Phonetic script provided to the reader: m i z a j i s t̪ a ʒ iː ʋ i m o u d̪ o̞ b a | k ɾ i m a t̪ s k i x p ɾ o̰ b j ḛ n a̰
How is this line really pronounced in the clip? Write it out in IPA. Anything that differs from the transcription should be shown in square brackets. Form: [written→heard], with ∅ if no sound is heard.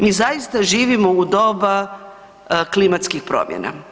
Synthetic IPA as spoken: m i z a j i s t̪ a ʒ iː ʋ i m o u d̪ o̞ b a | k [ɾ→l] i m a t̪ s k i x p ɾ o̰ [b→m] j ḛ n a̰